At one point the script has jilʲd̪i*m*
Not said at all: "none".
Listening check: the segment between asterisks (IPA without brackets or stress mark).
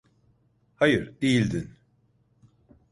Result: n